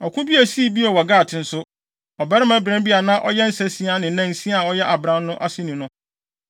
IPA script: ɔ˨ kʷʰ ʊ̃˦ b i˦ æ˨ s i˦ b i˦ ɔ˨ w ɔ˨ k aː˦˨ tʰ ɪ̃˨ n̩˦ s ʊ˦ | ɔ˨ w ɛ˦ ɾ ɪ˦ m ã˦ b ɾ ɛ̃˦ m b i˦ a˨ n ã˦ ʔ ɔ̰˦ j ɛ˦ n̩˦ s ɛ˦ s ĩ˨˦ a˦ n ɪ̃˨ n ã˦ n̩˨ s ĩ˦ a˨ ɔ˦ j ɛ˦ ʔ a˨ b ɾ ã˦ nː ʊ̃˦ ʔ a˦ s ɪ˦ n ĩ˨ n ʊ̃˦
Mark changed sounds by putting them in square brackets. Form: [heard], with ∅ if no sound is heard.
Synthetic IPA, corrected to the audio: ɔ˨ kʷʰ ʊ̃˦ b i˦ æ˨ s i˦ b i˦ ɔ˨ w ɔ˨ [ɡ] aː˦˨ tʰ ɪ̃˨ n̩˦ s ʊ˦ | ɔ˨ [b] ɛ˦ ɾ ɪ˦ m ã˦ b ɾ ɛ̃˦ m b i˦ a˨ n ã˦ ʔ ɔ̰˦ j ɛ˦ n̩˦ s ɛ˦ s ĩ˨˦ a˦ n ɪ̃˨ n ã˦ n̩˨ s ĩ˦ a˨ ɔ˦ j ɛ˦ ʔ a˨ b ɾ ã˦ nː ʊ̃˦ ʔ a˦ s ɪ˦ n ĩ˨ n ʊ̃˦